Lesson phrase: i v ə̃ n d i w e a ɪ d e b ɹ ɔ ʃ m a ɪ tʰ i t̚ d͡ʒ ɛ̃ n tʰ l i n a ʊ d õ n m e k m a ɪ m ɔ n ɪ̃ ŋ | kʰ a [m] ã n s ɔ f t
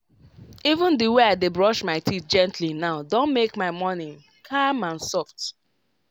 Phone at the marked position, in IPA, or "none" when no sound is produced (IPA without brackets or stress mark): m